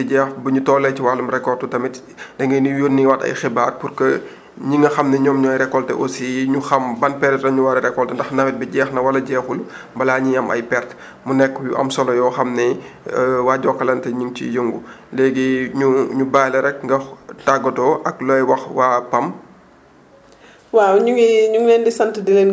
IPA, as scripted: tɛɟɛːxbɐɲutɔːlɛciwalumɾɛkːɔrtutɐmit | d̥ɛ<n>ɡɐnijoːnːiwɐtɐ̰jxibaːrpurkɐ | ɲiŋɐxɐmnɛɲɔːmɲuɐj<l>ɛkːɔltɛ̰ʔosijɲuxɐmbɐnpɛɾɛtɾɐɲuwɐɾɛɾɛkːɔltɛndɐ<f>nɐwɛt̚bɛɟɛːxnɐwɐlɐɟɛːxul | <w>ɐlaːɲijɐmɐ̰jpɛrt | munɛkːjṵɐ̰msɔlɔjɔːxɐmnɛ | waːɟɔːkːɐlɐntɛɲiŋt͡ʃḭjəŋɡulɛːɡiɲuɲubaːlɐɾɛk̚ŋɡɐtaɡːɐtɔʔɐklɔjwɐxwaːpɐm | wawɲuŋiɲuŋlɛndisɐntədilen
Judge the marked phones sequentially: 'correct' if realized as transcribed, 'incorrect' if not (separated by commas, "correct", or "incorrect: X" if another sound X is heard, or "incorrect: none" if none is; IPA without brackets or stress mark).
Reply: incorrect: ŋ, incorrect: ɾ, incorrect: x, incorrect: b